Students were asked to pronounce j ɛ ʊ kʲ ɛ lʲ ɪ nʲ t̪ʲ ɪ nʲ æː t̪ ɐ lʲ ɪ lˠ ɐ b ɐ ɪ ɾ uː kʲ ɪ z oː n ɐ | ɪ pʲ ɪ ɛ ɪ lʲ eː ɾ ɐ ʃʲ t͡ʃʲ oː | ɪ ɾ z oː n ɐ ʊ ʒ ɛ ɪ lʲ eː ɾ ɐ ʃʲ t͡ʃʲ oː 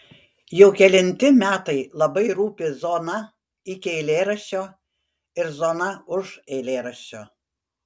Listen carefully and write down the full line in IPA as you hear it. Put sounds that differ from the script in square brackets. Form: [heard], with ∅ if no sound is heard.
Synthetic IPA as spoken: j ɛ ʊ kʲ ɛ lʲ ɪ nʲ t̪ʲ ɪ [mʲ] æː t̪ ɐ [∅] ɪ lˠ ɐ b ɐ ɪ ɾ uː [pʲ] ɪ z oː n ɐ | ɪ [kʲ] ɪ ɛ ɪ lʲ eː ɾ ɐ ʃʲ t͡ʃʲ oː | ɪ ɾ z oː n ɐ ʊ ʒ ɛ ɪ lʲ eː ɾ ɐ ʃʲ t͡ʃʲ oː